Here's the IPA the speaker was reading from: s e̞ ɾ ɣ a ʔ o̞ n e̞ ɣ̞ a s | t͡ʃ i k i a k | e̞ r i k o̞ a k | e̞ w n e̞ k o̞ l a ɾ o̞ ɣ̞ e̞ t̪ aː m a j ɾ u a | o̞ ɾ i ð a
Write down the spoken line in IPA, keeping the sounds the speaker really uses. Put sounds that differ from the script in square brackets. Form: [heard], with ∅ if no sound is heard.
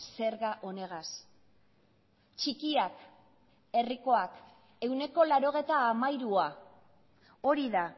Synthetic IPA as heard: s e̞ ɾ ɣ a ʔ o̞ n e̞ ɣ̞ a s | t͡ʃ i k i a k | e̞ r i k o̞ a k | e̞ w n e̞ k o̞ l a ɾ o̞ ɣ̞ e̞ t̪ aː m a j ɾ u a | o̞ ɾ i ð a